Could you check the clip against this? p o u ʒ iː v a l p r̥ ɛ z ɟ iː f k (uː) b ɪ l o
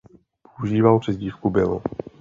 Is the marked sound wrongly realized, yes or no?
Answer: yes